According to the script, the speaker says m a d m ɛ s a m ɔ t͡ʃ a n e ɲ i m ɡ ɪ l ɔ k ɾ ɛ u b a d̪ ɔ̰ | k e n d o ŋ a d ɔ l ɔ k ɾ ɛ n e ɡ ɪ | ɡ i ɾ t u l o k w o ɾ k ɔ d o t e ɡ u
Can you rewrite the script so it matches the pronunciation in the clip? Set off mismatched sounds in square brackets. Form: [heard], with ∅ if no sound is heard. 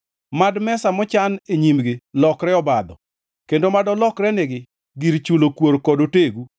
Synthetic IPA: m a d m ɛ s a m ɔ t͡ʃ a n e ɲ i m ɡ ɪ l ɔ k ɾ ɛ [ɔ] b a d̪ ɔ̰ | k e n d o [m] a d ɔ l ɔ k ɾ ɛ n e ɡ ɪ | ɡ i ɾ [t͡ʃ] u l o k w o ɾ k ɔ d o t e ɡ u